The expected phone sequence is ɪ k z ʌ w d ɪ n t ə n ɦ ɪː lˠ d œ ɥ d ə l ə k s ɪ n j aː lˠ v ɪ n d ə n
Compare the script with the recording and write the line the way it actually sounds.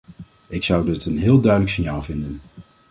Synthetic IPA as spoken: ɪ k s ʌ w d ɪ t ə n ɦ ɪː lˠ d œ ɥ d ə l ə k s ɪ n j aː lˠ v ɪ n d ə n